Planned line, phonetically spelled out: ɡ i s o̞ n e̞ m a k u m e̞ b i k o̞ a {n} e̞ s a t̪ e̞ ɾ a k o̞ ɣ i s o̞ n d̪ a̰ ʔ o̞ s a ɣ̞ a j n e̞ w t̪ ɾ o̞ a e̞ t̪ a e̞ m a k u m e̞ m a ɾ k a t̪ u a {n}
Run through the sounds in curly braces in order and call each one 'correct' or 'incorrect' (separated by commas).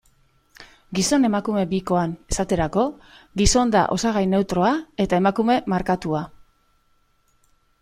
correct, incorrect